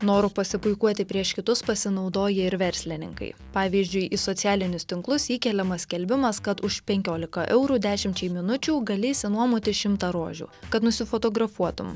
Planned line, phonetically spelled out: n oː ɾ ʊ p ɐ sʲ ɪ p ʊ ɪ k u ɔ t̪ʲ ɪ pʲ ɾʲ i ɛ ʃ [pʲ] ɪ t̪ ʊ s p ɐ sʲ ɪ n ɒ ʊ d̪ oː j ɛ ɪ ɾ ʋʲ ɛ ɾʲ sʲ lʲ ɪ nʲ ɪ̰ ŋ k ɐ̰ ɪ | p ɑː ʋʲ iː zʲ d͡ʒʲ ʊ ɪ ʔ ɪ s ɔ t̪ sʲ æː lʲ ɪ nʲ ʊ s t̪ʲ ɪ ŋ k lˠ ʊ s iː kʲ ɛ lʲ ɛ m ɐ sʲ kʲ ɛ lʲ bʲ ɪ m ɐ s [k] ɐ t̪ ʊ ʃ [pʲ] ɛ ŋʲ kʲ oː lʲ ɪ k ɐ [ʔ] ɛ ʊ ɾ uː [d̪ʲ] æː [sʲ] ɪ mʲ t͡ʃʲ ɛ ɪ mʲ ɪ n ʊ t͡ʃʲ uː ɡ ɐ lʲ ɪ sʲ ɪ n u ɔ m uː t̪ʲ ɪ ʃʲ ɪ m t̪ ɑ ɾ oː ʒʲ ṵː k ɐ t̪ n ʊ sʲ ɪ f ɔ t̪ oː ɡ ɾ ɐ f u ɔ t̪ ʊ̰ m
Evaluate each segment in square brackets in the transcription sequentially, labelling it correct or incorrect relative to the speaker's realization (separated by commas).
incorrect, correct, correct, correct, correct, incorrect